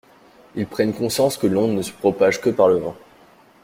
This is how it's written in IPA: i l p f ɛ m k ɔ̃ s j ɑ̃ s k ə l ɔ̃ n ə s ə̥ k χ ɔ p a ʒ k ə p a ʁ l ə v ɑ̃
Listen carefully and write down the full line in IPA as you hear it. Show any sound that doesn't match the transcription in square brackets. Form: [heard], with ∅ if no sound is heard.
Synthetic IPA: i l p [χ] ɛ [n] k ɔ̃ s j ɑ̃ s k ə l ɔ̃ n ə s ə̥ [p] χ ɔ p a ʒ k ə p a ʁ l ə v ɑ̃